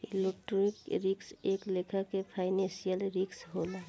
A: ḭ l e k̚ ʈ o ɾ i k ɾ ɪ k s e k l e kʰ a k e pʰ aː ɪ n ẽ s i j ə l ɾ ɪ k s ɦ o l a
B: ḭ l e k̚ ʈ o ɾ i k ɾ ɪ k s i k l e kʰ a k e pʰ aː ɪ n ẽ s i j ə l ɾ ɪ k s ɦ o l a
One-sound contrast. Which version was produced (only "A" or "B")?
A